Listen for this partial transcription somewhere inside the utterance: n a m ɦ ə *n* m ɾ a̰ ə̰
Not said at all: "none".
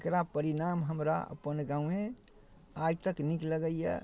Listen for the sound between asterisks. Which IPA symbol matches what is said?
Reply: none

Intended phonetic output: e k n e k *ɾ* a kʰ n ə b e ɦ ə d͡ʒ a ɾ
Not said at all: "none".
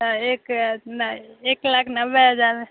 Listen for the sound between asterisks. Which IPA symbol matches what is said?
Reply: l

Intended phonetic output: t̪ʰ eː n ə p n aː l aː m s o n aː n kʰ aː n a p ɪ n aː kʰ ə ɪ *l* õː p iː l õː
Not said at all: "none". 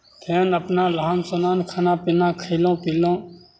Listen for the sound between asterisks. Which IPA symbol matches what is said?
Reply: l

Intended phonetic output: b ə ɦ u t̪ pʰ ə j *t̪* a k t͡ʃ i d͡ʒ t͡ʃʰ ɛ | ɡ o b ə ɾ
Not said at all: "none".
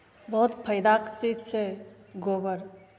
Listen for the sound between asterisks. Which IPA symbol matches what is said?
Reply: d̪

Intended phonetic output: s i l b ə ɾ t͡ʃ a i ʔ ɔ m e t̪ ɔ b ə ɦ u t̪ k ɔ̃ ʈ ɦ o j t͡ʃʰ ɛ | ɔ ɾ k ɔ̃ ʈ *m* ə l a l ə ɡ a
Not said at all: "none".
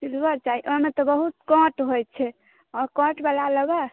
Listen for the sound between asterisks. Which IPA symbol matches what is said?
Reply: b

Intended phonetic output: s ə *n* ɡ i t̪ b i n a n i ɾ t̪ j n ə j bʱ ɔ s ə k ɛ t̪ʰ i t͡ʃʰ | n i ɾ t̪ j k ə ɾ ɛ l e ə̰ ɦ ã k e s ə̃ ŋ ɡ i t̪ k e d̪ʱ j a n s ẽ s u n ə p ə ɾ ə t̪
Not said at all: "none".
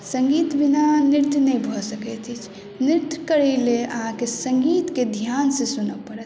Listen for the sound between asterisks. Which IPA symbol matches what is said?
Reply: ŋ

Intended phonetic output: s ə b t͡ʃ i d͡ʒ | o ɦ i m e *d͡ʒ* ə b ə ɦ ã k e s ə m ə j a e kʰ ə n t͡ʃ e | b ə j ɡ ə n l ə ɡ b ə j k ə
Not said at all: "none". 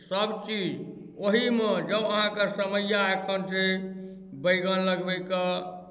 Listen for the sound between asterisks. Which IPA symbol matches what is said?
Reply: d͡ʒ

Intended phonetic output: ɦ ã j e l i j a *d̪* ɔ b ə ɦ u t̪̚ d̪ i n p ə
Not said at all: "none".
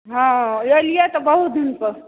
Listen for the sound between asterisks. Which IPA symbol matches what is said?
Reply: t̪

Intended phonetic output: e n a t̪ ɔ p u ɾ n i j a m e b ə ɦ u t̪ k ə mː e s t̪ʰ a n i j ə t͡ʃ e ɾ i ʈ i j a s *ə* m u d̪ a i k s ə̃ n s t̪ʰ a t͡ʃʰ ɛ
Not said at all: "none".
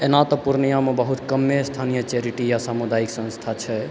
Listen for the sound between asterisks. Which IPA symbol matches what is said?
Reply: a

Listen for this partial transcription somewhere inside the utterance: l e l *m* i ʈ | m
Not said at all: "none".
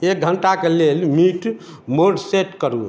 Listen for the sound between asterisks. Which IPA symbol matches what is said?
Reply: m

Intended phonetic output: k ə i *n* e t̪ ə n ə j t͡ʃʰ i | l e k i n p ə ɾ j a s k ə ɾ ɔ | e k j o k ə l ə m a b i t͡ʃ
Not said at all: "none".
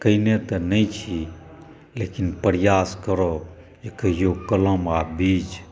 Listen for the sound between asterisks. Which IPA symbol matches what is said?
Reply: n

